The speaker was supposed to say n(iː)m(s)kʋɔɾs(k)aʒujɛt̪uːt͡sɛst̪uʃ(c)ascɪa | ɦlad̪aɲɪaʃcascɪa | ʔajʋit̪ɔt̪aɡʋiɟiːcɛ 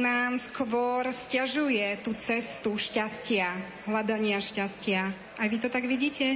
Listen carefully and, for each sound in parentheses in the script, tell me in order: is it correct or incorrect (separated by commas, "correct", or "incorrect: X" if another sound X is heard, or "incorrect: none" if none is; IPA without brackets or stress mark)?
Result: incorrect: aː, correct, incorrect: c, correct